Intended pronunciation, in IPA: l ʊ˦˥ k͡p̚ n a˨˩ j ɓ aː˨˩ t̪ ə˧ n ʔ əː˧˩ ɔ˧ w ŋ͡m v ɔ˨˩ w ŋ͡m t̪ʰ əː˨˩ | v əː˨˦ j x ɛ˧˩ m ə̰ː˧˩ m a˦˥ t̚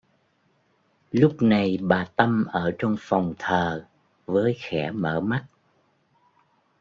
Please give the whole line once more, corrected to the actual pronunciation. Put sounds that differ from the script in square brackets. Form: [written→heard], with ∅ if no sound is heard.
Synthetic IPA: l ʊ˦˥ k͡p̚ n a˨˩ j ɓ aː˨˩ t̪ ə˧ [n→m] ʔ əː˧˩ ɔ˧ w ŋ͡m [v→f] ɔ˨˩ w ŋ͡m t̪ʰ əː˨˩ | v əː˨˦ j x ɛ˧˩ m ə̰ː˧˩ m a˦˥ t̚